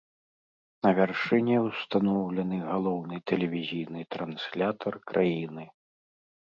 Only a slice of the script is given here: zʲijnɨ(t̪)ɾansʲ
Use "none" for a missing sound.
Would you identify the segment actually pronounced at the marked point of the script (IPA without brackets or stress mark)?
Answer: t̪